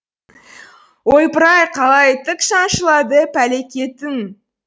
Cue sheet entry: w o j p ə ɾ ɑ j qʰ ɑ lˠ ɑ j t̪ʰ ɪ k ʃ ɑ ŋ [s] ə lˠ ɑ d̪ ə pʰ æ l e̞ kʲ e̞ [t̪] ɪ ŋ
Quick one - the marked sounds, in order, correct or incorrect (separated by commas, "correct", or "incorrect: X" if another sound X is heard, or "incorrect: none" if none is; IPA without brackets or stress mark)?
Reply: incorrect: ʃ, correct